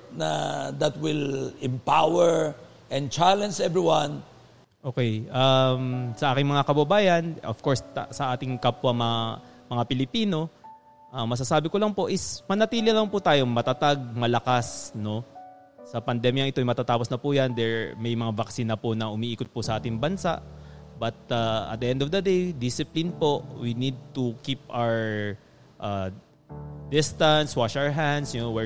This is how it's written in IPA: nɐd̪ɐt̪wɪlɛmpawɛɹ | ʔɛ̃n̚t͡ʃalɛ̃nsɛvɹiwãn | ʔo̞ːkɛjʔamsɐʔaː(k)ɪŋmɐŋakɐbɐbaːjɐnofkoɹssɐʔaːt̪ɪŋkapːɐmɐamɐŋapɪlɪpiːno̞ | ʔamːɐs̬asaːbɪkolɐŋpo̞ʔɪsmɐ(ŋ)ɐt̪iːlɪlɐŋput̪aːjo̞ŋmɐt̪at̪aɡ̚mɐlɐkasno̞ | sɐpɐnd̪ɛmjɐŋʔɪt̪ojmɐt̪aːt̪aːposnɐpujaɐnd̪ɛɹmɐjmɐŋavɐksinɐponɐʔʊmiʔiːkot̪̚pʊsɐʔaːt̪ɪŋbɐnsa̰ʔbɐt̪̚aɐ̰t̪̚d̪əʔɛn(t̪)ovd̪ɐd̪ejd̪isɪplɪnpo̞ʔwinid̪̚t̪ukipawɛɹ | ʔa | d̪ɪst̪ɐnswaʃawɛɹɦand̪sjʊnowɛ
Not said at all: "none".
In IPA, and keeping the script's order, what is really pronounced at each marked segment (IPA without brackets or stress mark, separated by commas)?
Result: k, n, d̪